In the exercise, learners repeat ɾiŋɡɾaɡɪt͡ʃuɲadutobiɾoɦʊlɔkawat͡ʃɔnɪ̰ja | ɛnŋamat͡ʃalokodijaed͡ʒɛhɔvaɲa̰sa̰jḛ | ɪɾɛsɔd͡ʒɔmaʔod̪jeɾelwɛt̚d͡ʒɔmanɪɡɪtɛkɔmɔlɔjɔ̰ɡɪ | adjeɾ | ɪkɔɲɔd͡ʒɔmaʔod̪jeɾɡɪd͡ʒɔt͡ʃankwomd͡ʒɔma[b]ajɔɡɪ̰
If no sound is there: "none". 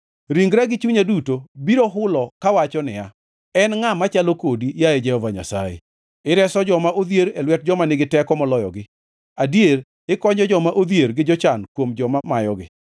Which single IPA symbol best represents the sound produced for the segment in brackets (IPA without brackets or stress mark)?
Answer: m